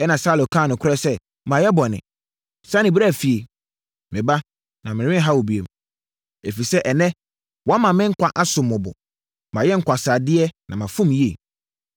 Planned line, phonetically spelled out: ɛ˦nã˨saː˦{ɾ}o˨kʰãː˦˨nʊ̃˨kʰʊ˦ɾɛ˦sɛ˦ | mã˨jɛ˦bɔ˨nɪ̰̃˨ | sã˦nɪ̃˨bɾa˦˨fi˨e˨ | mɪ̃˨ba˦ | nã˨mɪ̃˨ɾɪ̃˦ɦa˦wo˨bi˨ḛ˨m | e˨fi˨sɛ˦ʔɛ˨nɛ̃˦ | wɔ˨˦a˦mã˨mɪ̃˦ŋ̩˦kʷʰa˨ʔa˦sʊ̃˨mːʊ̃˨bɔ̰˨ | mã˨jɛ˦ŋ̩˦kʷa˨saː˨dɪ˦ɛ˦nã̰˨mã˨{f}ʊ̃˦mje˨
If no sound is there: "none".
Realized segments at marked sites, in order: l, f

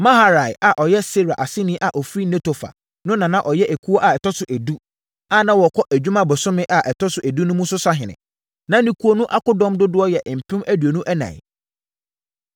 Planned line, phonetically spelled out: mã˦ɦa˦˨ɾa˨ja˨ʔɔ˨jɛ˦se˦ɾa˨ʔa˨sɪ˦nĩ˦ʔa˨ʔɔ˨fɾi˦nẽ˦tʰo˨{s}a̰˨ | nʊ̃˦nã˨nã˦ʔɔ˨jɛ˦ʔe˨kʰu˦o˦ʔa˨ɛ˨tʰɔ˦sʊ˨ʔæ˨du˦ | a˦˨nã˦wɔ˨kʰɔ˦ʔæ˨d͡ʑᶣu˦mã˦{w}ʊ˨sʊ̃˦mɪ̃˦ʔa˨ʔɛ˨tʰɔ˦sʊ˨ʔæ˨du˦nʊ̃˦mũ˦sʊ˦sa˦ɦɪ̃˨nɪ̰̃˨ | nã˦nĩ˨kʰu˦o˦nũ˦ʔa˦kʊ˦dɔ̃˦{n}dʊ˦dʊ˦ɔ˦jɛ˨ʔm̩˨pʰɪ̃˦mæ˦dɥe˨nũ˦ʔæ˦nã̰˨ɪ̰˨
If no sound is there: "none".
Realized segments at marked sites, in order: f, b, m

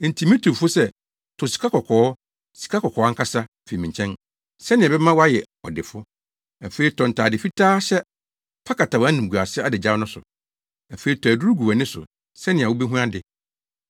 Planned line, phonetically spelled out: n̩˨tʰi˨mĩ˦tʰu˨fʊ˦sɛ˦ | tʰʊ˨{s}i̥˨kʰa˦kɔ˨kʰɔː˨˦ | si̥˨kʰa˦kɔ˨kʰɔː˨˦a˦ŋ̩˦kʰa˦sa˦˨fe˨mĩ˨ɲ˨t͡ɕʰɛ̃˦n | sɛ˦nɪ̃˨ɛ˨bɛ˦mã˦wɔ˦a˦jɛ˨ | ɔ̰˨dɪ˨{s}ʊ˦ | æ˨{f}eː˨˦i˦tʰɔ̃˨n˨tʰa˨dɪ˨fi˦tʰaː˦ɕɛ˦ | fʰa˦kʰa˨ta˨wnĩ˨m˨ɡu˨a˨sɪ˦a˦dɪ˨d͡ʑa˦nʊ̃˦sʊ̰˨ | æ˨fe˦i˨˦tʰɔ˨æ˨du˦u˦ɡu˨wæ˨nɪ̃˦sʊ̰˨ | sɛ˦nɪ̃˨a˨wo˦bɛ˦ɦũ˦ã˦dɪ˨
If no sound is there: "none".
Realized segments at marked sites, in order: s, f, f

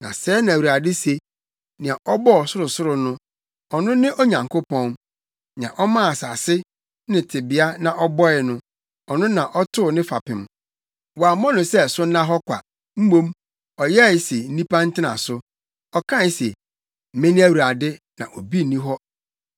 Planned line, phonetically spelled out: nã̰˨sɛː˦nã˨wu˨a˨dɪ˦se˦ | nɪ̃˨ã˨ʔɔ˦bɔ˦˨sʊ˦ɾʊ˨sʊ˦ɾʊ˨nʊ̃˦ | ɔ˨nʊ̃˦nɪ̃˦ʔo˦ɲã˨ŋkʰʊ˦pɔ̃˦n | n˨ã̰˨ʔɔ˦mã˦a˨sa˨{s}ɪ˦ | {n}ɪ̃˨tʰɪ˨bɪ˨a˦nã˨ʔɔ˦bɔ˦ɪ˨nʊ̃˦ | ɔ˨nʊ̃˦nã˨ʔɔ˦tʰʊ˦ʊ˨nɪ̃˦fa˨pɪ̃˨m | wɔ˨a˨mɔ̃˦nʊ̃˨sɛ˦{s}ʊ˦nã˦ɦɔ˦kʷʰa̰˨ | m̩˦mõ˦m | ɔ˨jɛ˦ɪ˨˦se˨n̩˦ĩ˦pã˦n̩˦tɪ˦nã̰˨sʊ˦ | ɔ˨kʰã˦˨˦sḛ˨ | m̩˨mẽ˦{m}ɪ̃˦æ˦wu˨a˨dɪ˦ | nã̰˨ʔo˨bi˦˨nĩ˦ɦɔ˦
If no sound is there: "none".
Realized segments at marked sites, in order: s, n, s, n

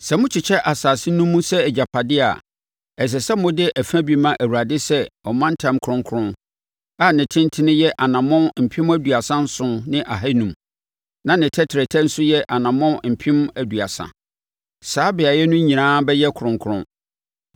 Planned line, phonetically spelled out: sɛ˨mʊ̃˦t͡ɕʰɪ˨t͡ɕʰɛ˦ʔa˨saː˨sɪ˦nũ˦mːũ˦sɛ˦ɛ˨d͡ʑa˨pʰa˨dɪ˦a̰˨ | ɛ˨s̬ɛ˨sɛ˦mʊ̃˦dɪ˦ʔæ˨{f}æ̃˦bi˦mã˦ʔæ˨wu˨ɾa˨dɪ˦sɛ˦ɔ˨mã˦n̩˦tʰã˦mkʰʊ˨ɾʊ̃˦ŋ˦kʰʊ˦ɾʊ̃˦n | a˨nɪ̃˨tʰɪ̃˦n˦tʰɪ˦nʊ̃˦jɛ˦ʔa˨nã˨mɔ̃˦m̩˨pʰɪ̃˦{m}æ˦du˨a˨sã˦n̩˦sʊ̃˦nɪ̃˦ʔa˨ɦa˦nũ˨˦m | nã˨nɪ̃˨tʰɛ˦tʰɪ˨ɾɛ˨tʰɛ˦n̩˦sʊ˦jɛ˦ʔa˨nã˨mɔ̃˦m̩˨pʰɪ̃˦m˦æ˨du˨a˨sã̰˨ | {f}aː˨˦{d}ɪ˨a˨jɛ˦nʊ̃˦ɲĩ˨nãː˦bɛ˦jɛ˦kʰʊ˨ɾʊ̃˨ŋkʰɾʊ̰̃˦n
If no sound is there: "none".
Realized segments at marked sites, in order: f, m, s, b

